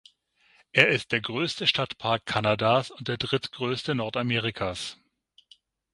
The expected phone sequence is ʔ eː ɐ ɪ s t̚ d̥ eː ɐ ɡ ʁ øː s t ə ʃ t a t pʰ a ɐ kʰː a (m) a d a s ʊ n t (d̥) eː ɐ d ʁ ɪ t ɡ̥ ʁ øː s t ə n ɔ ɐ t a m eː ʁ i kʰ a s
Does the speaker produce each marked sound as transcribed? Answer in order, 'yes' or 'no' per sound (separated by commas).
no, yes